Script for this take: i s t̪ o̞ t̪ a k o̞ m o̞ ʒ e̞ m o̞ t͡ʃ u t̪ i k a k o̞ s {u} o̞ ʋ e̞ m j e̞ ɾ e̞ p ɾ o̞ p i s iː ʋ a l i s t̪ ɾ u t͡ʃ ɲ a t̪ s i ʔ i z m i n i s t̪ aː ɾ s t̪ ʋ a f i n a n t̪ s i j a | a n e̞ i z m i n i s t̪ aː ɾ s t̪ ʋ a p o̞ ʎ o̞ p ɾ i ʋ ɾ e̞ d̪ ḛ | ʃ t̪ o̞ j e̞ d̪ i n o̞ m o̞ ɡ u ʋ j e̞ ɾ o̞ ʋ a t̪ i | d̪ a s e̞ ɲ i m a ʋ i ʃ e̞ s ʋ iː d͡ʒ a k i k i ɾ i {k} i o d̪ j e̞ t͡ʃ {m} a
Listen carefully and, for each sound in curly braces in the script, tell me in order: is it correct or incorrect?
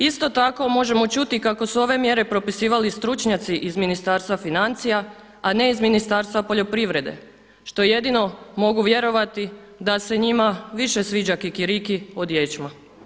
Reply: correct, correct, correct

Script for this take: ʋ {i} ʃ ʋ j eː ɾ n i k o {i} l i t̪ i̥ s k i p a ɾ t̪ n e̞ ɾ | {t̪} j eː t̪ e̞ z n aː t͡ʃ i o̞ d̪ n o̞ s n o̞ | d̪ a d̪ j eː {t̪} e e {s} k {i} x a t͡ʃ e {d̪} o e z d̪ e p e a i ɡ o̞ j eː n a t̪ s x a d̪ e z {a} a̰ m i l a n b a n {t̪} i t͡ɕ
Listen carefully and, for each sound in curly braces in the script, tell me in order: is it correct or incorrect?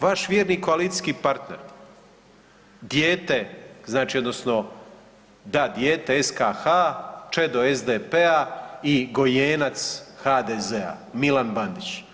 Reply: incorrect: a, incorrect: a, incorrect: d̪, correct, correct, incorrect: a, correct, incorrect: e, incorrect: d̪

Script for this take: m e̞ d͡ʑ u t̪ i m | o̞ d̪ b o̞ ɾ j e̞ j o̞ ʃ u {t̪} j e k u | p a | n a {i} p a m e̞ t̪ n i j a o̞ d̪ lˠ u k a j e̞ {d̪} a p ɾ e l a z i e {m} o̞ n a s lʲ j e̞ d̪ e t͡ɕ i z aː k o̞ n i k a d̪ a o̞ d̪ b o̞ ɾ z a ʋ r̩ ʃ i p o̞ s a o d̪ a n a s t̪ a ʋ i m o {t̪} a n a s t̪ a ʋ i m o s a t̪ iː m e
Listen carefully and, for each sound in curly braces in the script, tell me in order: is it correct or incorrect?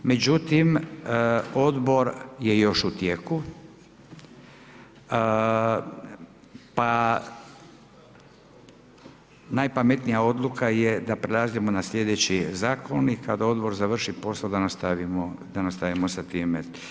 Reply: correct, incorrect: j, correct, correct, incorrect: d̪

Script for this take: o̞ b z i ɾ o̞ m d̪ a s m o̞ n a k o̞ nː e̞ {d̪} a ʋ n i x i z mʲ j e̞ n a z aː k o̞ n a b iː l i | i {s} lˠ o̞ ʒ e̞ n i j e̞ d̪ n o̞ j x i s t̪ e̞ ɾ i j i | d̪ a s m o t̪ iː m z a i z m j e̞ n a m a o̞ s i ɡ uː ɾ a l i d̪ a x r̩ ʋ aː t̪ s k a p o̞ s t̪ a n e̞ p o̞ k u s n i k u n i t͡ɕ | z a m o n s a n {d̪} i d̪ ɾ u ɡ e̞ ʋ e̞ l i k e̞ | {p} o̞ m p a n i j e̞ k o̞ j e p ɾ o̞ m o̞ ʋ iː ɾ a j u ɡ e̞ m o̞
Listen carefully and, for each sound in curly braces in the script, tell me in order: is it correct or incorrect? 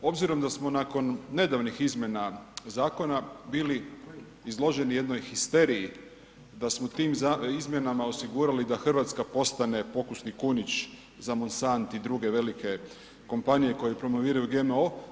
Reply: correct, incorrect: z, incorrect: t̪, incorrect: k

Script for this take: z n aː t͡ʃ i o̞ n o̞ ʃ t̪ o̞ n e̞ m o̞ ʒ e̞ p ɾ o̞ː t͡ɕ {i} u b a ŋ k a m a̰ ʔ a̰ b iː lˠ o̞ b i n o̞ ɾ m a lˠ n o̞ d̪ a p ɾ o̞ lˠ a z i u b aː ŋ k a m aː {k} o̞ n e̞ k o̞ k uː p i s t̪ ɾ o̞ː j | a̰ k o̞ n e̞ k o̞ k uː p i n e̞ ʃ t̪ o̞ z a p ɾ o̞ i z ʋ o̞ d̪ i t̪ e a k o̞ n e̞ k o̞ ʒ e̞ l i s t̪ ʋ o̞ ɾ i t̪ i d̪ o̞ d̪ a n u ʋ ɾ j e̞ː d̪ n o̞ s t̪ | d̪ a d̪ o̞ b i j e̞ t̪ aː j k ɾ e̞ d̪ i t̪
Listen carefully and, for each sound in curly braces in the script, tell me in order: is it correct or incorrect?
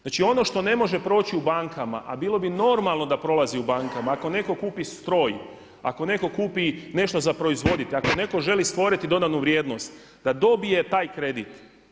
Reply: correct, correct

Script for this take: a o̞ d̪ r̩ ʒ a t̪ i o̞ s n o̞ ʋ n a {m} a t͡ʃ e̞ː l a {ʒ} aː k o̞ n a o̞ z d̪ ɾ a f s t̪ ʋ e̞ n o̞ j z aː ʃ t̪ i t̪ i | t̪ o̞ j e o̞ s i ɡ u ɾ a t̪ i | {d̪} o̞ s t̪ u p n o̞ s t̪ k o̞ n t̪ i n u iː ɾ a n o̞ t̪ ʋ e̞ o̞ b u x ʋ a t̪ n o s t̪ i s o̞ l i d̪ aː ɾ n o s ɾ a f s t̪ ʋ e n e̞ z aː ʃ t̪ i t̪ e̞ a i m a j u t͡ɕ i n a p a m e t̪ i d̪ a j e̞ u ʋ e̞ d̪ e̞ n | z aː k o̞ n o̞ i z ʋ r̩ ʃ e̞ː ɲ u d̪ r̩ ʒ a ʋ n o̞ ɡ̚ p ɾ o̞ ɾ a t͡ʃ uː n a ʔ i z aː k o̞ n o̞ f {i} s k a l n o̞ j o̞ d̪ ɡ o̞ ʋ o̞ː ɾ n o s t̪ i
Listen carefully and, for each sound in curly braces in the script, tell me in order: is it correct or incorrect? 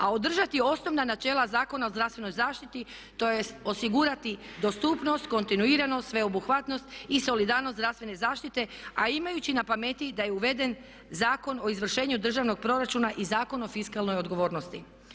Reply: incorrect: n, incorrect: z, correct, correct

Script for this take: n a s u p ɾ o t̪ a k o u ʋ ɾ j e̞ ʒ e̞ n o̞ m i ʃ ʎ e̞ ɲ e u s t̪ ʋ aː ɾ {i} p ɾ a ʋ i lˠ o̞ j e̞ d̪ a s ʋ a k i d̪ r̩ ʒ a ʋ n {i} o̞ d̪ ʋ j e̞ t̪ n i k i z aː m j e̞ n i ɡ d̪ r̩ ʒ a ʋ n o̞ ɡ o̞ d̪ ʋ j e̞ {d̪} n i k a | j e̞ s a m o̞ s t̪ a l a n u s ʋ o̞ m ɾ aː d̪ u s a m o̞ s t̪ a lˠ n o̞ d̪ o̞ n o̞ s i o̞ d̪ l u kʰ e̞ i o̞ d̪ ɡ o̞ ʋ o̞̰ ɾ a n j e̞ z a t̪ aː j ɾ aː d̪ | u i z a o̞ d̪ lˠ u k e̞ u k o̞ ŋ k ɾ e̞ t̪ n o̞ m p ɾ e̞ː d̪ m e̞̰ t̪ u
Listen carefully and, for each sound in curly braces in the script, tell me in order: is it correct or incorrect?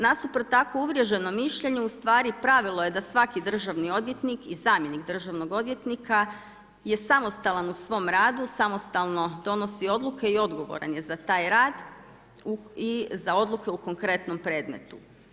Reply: correct, correct, incorrect: t̪

